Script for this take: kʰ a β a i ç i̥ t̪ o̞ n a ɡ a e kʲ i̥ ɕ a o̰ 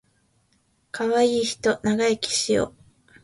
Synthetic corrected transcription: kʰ a β a iː ç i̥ t̪ o̞ n a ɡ a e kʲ i̥ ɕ i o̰